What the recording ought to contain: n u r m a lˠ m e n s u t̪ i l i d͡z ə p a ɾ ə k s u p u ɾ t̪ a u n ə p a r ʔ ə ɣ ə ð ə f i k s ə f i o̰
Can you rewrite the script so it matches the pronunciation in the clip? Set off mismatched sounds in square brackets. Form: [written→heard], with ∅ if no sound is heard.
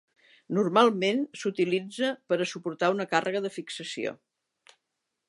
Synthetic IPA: n u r m a lˠ m e n s u t̪ i l i d͡z ə p [a→ə] ɾ ə [k→∅] s u p u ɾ t̪ a u n ə [p→k] a r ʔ ə ɣ ə ð ə f i k s ə [f→s] i o̰

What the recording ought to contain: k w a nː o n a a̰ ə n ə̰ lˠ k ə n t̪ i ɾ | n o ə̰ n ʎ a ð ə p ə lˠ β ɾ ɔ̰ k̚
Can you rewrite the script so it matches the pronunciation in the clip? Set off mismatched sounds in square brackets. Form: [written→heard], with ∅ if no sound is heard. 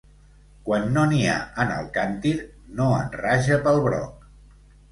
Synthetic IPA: k w a nː o n [a→i] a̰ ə n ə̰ lˠ k [ə→a] n t̪ i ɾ | n o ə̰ n [ʎ→r] a [ð→ʒ] ə p ə lˠ β ɾ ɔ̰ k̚

